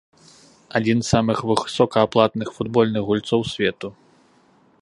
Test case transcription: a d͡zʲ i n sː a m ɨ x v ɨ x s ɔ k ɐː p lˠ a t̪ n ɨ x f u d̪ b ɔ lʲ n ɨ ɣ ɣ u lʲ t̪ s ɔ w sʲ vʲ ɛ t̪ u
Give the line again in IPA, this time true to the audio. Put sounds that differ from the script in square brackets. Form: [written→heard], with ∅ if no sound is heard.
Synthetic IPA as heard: a d͡zʲ i n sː a m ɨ x v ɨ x s ɔ k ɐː p lˠ a t̪ n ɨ x f u d̪ b ɔ lʲ n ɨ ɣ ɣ u lʲ t̪ s ɔ w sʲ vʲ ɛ t̪ u